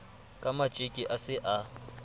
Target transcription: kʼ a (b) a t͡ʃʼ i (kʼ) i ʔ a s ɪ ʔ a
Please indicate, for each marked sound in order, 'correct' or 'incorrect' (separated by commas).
incorrect, correct